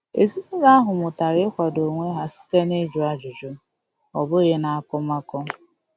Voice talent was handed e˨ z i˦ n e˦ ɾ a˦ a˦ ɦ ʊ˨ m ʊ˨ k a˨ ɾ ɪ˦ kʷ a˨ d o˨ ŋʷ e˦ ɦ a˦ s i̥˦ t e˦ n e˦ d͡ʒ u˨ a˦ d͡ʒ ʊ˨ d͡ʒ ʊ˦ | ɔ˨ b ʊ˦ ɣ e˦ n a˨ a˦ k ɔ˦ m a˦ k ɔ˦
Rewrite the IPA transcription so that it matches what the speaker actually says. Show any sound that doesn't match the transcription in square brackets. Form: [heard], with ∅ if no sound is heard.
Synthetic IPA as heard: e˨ z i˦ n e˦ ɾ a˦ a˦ ɦ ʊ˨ m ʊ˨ [t] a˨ ɾ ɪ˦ kʷ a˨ d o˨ ŋʷ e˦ ɦ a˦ s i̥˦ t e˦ n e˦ d͡ʒ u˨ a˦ d͡ʒ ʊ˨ d͡ʒ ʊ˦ | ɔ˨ b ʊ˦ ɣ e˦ n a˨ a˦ k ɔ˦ m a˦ k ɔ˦